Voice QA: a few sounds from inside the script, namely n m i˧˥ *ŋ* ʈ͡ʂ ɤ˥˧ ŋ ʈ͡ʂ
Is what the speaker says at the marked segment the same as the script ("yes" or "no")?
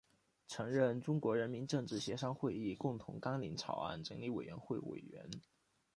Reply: no